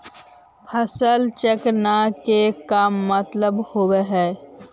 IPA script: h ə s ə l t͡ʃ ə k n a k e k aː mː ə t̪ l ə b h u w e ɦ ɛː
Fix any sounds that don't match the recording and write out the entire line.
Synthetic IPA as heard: h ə s ə l t͡ʃ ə k n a k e k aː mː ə t̪ l ə b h o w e ɦ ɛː